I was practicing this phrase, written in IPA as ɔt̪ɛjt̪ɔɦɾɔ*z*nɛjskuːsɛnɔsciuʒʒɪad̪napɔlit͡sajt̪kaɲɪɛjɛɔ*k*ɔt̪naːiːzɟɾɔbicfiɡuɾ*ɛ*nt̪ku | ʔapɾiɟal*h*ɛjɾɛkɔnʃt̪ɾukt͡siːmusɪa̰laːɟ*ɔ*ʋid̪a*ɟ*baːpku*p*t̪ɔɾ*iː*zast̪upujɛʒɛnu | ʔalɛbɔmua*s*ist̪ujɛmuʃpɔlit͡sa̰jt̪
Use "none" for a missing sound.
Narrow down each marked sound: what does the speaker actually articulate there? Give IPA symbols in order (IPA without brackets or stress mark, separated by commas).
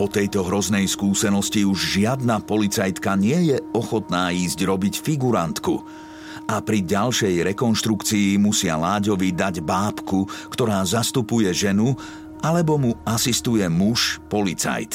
z, x, a, ʃ, ɔ, ɟ, k, aː, s